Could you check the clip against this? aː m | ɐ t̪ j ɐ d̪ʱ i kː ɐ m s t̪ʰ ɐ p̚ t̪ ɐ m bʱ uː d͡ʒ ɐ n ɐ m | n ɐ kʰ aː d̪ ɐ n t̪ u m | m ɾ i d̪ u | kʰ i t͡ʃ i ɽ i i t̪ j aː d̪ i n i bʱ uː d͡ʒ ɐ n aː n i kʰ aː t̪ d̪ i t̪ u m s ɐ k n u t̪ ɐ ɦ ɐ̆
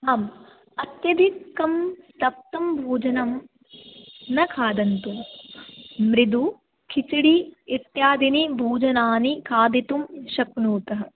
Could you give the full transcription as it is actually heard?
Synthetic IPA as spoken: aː m | ɐ t̪ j ɐ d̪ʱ i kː ɐ m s t̪ ɐ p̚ t̪ ɐ m bʱ uː d͡ʒ ɐ n ɐ m | n ɐ kʰ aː d̪ ɐ n t̪ u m | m ɾ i d̪ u | kʰ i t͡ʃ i ɽ i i t̪ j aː d̪ i n i bʱ uː d͡ʒ ɐ n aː n i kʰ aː d̪ i t̪ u m ʃ ɐ k n uː t̪ ɐ ɦ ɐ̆